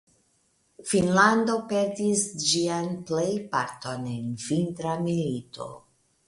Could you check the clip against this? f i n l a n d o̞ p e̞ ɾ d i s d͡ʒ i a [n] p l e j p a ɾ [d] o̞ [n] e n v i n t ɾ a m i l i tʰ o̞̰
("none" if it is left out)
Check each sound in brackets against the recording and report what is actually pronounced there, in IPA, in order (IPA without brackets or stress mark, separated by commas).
n, t, n